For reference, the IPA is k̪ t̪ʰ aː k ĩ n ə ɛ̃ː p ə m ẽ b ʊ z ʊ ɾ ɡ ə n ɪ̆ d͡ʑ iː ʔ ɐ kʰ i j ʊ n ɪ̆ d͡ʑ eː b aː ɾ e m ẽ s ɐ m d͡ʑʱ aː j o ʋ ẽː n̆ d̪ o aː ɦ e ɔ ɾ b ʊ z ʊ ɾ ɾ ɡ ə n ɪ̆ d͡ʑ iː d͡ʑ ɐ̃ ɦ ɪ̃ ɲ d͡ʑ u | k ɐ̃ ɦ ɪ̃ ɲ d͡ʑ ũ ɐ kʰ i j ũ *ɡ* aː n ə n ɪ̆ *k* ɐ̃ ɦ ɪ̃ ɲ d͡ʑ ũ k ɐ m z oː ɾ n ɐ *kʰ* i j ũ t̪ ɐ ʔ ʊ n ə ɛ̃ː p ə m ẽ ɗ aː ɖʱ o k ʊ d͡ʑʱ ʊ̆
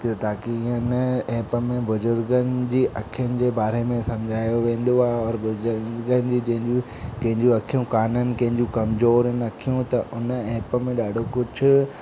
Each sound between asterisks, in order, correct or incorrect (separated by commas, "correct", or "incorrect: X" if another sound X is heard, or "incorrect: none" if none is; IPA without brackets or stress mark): incorrect: k, correct, correct